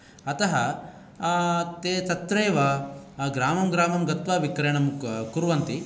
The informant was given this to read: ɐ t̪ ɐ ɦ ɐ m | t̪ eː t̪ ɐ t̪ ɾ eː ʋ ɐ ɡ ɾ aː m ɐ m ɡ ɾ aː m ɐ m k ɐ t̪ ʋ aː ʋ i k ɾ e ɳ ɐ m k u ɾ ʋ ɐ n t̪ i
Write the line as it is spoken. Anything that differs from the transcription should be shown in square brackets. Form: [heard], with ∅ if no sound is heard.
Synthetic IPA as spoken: ɐ t̪ ɐ ɦ ɐ [∅] | t̪ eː t̪ ɐ t̪ ɾ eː ʋ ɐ ɡ ɾ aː m ɐ m ɡ ɾ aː m ɐ m [ɡ] ɐ t̪ ʋ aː ʋ i k ɾ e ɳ ɐ m k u ɾ ʋ ɐ n t̪ i